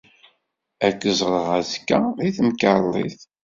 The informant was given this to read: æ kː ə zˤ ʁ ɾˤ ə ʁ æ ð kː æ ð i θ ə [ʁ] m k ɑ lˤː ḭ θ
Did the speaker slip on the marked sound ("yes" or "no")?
yes